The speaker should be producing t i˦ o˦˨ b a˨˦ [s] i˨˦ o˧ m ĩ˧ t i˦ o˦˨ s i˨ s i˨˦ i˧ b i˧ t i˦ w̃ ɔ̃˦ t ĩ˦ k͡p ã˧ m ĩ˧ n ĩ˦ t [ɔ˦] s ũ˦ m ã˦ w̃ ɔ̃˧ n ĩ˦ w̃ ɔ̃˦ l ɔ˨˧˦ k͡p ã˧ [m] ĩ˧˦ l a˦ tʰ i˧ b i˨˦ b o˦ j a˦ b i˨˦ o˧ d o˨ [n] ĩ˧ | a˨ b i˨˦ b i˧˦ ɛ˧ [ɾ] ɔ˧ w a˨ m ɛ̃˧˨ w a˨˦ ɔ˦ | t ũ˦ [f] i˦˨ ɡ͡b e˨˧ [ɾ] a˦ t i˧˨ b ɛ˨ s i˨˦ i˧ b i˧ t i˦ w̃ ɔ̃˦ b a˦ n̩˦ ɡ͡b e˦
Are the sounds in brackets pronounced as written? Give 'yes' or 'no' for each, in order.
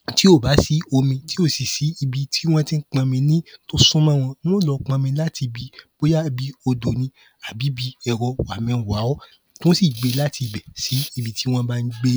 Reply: yes, no, yes, yes, yes, no, no

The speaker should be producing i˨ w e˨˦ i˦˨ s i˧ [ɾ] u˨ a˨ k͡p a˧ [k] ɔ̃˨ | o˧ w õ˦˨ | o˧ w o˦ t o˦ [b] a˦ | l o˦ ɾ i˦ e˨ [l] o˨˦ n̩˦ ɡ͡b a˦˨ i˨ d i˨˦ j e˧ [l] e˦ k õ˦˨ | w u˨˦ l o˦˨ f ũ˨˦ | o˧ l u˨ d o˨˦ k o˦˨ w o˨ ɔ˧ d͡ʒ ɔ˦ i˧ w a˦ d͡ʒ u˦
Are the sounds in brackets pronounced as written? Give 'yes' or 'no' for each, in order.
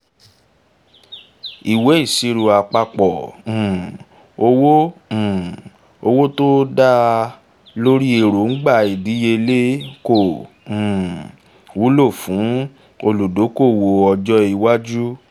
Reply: yes, no, no, no, yes

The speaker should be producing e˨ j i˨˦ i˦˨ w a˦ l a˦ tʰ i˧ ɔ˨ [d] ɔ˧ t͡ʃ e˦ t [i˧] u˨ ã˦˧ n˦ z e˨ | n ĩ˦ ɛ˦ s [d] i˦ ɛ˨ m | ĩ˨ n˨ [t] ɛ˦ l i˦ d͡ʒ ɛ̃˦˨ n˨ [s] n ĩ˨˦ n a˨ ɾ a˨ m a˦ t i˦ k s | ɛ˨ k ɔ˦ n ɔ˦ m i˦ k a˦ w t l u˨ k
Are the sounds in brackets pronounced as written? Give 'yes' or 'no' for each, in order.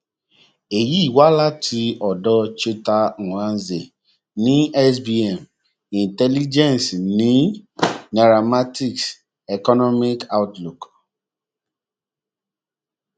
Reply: yes, no, no, yes, yes

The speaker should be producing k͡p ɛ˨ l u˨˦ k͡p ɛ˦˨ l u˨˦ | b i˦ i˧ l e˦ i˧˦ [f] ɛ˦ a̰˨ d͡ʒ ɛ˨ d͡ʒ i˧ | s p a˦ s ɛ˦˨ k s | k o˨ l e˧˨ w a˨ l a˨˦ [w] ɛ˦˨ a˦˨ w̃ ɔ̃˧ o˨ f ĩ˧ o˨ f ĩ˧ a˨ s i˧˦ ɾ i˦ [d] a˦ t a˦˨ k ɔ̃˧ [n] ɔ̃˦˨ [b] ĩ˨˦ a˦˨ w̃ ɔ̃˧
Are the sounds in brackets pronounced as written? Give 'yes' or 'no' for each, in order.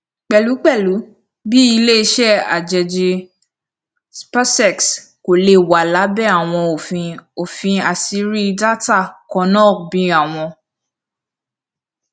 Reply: no, no, yes, yes, yes

